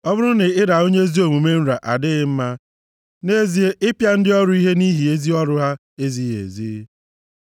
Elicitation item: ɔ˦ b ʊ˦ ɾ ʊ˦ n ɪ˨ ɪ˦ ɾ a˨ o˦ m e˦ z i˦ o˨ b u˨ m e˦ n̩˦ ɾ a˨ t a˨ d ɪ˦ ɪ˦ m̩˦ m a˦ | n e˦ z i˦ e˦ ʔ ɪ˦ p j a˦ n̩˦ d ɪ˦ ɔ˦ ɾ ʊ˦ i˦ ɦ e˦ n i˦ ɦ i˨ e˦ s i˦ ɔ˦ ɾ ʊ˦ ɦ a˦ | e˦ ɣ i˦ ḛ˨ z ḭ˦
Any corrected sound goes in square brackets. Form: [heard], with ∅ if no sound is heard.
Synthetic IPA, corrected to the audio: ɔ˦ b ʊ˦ ɾ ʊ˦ n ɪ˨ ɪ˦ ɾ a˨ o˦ [ɲ] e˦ z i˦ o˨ [m] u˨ m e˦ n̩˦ ɾ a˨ [ʔ] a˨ d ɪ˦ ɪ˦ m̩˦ m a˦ | n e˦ z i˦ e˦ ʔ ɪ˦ p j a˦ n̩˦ d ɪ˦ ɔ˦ ɾ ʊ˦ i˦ ɦ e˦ n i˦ ɦ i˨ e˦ [z] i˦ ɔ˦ ɾ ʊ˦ ɦ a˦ | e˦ [z] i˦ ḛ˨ z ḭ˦